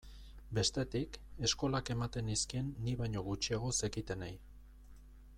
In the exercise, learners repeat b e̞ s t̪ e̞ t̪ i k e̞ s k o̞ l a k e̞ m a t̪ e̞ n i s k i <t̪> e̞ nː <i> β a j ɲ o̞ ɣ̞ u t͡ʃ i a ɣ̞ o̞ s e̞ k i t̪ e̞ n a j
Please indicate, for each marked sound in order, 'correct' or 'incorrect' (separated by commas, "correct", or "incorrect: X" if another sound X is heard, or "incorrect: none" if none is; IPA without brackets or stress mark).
incorrect: none, correct